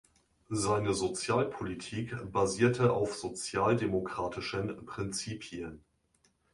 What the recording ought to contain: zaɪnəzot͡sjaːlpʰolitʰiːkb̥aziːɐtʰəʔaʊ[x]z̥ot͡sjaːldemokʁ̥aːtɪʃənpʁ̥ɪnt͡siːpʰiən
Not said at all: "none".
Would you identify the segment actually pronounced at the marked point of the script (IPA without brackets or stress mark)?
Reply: f